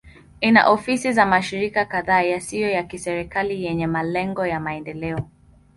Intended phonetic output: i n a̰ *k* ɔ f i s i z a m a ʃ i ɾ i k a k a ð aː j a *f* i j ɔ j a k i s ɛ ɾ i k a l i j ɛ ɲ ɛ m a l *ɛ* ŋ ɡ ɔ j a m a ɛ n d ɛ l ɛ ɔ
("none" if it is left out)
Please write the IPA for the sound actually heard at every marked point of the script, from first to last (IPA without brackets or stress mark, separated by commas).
ʔ, s, ɛ